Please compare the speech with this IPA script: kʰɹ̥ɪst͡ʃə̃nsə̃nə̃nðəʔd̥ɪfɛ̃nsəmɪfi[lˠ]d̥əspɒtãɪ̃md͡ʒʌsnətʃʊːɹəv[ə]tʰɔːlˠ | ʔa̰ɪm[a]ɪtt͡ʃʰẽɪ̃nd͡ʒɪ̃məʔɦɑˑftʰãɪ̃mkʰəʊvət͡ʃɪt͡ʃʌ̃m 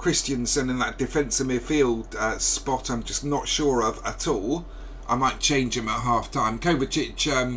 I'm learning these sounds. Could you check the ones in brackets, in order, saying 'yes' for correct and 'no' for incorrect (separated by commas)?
yes, yes, yes